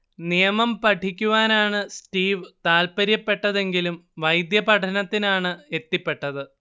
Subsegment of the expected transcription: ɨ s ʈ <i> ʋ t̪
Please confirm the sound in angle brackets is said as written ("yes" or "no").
no